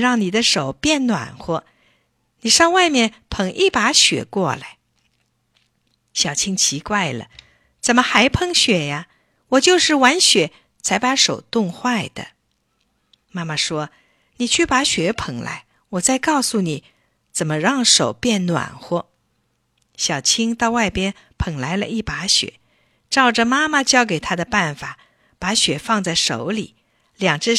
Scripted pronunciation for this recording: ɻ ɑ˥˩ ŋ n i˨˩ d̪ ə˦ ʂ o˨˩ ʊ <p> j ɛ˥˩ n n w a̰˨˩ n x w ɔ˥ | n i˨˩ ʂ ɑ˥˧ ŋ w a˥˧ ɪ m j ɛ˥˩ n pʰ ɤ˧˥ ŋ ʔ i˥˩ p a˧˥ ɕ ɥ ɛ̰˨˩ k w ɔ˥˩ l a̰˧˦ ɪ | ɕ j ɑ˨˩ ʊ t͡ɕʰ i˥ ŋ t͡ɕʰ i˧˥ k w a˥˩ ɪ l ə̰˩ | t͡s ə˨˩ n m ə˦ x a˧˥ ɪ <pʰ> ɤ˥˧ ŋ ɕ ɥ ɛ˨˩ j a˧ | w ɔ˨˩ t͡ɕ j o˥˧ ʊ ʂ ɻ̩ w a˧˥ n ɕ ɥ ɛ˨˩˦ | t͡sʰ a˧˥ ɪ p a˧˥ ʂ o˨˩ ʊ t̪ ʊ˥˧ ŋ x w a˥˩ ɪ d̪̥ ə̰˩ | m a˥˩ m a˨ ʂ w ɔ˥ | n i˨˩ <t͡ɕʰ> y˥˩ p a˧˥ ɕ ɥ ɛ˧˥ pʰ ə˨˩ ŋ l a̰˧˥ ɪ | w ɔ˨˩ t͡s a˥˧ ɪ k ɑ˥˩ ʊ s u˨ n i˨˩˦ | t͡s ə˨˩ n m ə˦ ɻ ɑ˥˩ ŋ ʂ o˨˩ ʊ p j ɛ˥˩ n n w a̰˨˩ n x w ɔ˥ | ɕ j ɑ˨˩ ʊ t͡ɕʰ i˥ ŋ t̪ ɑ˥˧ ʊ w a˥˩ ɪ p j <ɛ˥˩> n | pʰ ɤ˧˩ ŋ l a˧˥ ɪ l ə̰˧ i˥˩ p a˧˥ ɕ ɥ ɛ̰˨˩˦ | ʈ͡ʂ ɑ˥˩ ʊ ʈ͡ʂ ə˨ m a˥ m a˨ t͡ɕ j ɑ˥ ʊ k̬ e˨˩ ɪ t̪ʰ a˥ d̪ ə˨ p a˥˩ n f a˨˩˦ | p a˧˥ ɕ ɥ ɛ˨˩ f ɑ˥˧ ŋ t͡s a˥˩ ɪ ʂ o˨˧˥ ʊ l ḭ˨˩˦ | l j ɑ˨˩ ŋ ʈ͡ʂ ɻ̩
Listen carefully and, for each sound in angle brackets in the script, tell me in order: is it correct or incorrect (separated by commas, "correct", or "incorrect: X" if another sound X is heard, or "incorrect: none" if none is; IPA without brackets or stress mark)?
correct, correct, correct, incorrect: ɛ˥